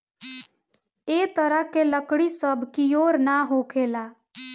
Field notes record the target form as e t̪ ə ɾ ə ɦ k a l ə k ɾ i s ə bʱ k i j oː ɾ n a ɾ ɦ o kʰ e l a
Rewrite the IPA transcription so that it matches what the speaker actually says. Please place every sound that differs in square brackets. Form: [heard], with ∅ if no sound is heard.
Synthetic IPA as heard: e t̪ ə ɾ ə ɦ k [e] l ə k [ɽ] i s ə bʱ k i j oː ɾ n a [∅] ɦ o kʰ e l a